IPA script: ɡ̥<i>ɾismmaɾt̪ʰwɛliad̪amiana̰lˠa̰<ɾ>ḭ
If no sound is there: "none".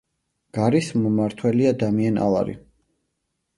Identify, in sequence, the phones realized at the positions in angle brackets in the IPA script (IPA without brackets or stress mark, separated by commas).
a, ɾ